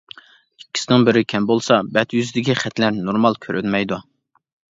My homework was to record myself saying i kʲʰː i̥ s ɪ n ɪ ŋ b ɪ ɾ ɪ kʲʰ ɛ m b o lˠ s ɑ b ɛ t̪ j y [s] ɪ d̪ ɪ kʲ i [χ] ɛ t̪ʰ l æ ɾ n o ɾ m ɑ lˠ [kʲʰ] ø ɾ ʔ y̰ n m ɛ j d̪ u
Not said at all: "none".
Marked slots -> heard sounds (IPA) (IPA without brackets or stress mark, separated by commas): z, χ, kʲʰ